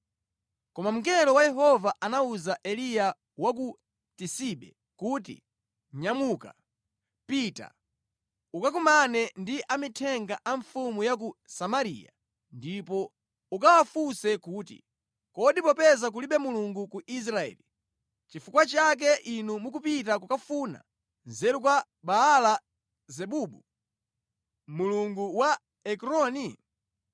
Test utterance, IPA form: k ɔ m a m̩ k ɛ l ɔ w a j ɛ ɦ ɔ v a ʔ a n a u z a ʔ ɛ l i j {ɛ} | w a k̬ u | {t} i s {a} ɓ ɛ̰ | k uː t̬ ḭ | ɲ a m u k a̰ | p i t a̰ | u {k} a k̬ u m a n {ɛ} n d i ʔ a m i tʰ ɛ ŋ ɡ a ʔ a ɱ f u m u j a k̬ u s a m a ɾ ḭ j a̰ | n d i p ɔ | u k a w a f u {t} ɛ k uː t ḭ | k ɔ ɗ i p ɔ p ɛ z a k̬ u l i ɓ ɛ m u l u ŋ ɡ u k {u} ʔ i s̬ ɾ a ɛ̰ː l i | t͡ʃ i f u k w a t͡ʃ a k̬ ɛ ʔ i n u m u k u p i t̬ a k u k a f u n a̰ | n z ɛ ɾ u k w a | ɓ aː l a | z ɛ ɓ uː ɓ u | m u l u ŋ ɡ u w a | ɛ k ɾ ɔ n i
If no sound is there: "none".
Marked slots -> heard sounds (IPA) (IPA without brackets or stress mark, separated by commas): a, t, i, k, ɛ, s, u